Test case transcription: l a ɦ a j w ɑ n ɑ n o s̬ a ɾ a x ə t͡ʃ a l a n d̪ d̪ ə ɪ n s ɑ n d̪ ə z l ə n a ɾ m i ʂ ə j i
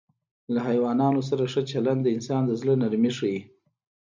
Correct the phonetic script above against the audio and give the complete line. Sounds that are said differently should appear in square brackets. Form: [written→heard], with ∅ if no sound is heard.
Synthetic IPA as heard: l a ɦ a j w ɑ n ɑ n o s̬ a ɾ a [x→ʂ] ə t͡ʃ a l a n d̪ d̪ ə ɪ n s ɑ n d̪ ə z l ə n a ɾ m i ʂ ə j i